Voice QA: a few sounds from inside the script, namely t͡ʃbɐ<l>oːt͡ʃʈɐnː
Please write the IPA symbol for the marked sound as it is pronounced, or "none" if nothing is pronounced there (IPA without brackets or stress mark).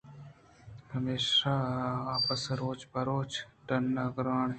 ɾ